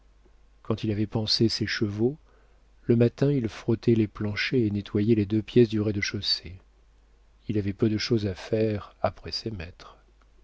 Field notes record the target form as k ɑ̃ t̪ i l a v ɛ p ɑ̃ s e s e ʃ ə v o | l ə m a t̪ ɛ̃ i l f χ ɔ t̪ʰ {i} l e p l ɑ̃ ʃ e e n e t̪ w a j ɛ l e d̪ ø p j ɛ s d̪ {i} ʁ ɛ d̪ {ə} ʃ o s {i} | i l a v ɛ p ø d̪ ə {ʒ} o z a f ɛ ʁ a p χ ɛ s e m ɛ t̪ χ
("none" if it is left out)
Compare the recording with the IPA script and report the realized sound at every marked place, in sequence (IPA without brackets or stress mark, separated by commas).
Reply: ɛ, y, ə, e, ʃ